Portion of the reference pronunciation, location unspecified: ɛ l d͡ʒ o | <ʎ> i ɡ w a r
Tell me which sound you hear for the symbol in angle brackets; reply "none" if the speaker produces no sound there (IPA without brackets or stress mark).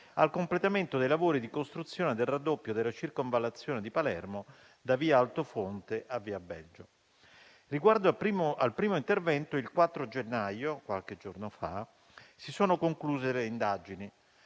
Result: r